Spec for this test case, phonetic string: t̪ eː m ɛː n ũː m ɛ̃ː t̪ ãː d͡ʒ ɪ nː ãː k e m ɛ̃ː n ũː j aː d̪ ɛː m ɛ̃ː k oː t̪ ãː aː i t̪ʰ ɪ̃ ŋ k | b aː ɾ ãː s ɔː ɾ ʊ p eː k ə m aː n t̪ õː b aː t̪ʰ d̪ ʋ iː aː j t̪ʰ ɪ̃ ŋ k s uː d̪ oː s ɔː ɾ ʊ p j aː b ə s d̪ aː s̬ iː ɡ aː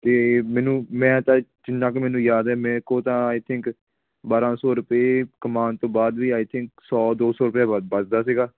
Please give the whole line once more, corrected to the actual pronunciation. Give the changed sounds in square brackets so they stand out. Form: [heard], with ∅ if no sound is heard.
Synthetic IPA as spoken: t̪ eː m ɛː n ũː m ɛ̃ː t̪ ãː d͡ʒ ɪ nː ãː k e m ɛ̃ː n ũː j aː d̪ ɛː m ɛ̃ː k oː t̪ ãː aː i t̪ʰ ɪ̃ ŋ k | b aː ɾ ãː s ɔː ɾ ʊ p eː k ə m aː n t̪ õː b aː [∅] d̪ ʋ iː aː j t̪ʰ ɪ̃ ŋ k s [ɔː] d̪ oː s ɔː ɾ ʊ p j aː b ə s d̪ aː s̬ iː ɡ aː